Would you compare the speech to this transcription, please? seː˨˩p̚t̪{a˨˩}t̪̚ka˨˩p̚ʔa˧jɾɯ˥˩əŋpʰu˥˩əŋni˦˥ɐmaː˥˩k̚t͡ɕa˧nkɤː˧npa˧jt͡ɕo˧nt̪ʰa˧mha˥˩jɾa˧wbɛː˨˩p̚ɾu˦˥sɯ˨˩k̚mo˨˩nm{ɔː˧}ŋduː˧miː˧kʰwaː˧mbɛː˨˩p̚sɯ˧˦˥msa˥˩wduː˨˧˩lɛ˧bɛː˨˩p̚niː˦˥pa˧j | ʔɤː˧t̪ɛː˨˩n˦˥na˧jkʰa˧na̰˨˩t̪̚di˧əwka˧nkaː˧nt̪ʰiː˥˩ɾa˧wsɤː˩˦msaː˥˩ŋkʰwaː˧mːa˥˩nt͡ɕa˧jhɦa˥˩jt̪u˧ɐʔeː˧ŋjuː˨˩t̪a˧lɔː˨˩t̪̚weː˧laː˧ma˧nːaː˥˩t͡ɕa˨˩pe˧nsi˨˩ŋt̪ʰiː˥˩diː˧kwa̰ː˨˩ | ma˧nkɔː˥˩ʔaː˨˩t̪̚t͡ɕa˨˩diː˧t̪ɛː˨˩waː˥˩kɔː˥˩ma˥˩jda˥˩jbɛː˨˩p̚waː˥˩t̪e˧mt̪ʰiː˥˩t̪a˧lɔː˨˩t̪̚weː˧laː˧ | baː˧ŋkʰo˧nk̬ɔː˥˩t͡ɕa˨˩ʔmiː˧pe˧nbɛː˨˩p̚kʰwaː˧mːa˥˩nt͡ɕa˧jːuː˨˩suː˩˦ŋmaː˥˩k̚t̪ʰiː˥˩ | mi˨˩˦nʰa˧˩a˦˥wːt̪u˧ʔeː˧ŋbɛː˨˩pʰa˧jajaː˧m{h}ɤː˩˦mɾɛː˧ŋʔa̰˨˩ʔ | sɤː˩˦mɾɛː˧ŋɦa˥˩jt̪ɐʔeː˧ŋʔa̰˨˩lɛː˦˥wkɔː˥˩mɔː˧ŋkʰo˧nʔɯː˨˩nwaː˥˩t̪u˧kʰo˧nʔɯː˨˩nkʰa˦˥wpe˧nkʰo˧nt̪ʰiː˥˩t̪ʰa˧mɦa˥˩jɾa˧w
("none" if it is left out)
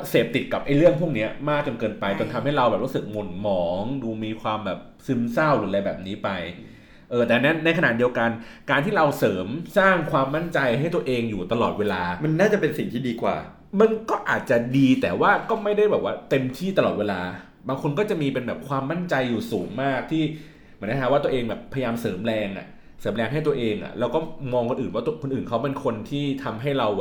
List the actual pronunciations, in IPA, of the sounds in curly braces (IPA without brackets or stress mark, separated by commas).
i˨˩, ɔː˩˦, s